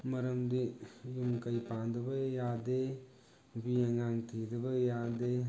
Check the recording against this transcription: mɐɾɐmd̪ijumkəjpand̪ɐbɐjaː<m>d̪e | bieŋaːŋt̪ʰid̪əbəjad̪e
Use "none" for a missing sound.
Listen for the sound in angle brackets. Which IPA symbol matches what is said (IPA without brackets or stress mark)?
none